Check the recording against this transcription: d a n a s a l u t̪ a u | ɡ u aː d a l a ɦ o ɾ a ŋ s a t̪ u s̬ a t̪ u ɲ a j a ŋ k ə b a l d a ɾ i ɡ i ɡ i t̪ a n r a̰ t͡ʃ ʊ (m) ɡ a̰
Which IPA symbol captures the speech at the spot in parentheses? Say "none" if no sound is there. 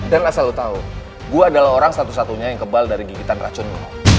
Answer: n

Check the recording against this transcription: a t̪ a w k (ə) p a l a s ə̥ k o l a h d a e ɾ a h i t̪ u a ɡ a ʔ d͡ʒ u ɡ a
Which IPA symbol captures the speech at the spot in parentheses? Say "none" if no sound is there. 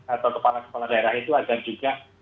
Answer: ə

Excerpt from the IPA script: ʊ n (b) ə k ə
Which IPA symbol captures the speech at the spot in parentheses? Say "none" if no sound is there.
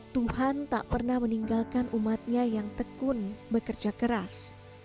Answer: b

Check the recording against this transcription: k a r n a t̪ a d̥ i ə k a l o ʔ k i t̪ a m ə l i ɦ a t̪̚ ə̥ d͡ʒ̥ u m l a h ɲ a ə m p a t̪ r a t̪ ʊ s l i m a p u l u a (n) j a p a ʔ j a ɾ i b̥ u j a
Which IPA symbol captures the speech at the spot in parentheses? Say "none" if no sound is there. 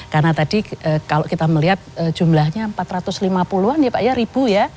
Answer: n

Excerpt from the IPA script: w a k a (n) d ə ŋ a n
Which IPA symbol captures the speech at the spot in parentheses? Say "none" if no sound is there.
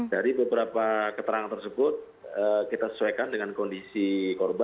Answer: n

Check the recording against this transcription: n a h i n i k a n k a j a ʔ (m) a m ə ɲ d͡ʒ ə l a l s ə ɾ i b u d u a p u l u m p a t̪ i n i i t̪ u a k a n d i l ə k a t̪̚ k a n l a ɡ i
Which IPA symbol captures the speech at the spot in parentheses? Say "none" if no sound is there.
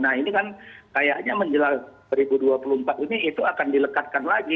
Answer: ɲ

